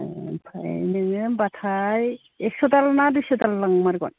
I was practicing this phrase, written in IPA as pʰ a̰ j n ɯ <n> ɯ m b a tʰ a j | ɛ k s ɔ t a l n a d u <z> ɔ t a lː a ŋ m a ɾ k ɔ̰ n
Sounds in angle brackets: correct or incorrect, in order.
incorrect: ŋ, incorrect: s

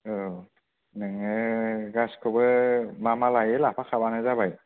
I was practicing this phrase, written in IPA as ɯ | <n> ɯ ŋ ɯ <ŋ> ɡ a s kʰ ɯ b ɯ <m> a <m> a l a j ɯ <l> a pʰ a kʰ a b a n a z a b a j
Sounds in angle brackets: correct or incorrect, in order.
correct, incorrect: none, correct, correct, correct

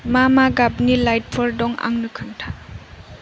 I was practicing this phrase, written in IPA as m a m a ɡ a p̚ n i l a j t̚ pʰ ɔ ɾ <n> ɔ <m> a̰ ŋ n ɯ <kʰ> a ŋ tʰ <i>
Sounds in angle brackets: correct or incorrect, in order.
incorrect: d, incorrect: ŋ, correct, incorrect: a

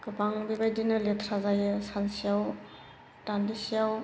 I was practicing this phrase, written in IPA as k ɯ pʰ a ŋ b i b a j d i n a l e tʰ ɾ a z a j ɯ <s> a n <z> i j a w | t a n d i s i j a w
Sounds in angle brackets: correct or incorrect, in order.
correct, incorrect: s

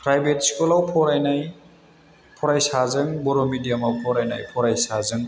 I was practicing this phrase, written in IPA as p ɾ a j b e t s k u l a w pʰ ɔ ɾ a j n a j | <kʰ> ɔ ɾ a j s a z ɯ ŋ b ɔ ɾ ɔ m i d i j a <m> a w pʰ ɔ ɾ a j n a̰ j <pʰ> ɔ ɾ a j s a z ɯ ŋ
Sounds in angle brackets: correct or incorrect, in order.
incorrect: pʰ, correct, correct

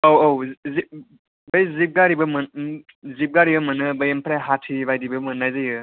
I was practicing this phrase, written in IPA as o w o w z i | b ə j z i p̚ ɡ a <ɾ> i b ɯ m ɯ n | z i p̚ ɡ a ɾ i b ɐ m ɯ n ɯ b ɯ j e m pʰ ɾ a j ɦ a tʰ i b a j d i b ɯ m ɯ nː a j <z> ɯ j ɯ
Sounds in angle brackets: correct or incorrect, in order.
correct, correct

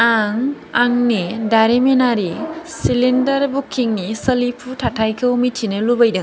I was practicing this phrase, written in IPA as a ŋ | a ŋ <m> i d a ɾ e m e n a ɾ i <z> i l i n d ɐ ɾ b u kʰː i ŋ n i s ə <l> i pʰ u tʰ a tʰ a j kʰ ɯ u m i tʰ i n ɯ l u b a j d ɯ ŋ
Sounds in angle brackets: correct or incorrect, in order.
incorrect: n, incorrect: s, correct

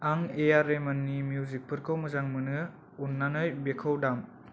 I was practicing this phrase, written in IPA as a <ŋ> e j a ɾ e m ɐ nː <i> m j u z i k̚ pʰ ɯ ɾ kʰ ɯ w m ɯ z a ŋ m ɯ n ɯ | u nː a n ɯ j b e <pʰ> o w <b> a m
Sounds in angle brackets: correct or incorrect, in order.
correct, correct, incorrect: kʰ, incorrect: d

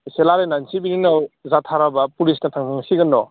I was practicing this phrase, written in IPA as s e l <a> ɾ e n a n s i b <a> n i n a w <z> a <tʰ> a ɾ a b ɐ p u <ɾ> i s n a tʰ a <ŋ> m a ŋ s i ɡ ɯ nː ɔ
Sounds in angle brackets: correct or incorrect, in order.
correct, incorrect: i, correct, correct, incorrect: l, correct

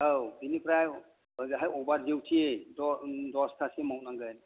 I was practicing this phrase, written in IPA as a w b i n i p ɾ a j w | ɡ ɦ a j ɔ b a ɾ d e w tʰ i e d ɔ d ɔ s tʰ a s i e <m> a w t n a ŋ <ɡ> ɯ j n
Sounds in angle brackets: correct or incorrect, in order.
correct, correct

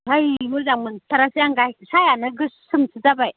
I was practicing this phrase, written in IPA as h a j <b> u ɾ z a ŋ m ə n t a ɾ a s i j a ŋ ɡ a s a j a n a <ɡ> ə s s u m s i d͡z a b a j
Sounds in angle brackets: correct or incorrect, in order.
incorrect: m, correct

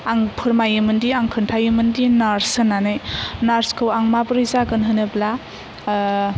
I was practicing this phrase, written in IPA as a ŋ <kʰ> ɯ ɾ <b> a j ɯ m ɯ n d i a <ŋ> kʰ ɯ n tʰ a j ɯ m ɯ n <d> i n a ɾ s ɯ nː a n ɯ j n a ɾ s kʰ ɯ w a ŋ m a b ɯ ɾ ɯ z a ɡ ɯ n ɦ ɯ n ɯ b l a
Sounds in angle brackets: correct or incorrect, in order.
incorrect: pʰ, incorrect: m, correct, correct

